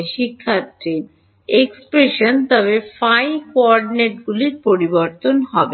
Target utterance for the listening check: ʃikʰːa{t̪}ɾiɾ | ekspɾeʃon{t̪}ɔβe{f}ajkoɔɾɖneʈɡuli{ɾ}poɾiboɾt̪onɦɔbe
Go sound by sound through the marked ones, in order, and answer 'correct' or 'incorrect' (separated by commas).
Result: correct, correct, correct, correct